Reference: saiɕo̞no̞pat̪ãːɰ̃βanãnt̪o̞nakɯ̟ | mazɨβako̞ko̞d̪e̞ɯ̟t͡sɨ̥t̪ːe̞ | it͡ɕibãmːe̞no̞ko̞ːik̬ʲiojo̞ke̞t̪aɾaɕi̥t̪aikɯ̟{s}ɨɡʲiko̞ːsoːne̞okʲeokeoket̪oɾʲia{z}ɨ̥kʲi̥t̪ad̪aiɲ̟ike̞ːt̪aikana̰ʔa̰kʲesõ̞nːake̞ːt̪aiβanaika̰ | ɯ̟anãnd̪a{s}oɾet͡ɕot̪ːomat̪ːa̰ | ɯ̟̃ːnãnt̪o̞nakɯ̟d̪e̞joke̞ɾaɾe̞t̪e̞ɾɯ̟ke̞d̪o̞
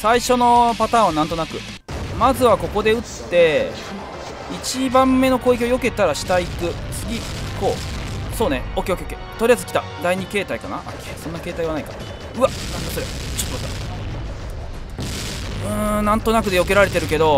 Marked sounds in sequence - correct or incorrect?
incorrect: t͡s, correct, correct

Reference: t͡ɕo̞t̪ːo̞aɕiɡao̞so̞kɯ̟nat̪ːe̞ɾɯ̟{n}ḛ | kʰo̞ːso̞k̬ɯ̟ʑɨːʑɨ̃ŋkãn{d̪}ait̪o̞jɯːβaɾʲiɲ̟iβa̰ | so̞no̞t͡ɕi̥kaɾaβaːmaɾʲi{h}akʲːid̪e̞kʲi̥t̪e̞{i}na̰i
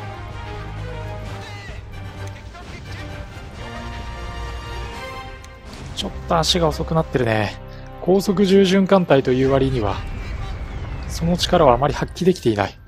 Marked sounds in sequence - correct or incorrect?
correct, incorrect: t̪, correct, correct

